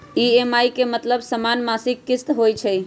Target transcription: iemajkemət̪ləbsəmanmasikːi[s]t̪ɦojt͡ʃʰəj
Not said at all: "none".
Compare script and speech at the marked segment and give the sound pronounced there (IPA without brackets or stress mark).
s